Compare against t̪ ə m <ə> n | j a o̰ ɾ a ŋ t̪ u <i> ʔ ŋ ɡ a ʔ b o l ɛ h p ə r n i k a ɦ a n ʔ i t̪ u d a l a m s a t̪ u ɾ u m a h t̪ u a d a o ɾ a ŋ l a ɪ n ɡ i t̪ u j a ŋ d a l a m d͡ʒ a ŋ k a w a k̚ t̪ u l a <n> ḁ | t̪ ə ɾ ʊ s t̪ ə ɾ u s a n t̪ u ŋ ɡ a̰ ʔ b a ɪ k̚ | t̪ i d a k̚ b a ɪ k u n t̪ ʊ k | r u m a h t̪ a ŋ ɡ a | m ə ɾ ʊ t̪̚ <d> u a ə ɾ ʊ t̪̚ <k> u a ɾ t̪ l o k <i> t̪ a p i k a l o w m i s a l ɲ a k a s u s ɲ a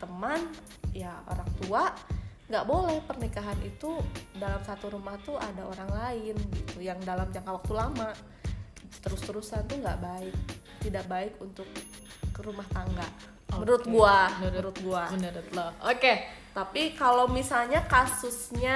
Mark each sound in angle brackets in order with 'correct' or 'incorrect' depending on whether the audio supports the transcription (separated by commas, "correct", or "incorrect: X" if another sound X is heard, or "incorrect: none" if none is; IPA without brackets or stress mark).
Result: incorrect: a, incorrect: a, incorrect: m, incorrect: ɡ, incorrect: ɡ, incorrect: e